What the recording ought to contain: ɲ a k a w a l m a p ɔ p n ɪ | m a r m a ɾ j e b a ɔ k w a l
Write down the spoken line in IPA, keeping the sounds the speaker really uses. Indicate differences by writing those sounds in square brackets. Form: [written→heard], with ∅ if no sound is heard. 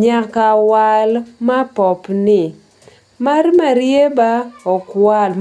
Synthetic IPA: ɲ a k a w a l m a p ɔ p n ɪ | m a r m a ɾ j e b a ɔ k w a l